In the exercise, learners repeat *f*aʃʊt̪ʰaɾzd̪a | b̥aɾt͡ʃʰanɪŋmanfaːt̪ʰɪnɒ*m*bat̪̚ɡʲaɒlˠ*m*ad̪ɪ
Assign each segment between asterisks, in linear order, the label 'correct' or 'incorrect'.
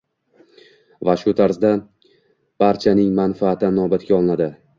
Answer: incorrect, incorrect, incorrect

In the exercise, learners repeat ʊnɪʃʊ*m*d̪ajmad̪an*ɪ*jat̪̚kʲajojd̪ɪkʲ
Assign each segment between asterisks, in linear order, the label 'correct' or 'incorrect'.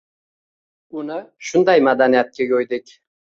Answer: incorrect, incorrect

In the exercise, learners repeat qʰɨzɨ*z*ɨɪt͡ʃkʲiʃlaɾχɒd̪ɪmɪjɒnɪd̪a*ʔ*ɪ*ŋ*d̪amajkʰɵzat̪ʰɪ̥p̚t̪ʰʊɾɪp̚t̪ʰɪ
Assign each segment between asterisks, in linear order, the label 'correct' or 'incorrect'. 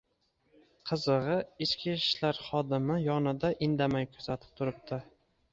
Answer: incorrect, correct, incorrect

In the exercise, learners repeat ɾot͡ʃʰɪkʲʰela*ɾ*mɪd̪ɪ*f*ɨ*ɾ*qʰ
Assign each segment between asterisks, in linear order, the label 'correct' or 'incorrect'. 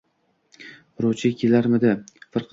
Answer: correct, correct, correct

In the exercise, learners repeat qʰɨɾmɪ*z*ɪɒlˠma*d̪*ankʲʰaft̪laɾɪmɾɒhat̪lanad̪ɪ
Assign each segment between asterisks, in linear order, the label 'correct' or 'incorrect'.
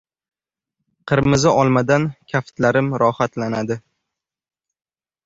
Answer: correct, correct

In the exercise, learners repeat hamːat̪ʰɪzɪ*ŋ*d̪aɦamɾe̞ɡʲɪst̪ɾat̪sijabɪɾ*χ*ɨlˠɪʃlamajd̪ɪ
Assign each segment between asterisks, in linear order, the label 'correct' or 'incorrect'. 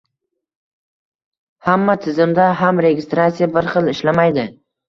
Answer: incorrect, correct

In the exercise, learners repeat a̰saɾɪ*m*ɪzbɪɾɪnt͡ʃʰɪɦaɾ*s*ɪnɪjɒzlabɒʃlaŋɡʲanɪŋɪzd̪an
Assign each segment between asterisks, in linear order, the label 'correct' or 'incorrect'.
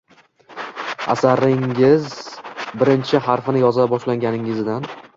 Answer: incorrect, incorrect

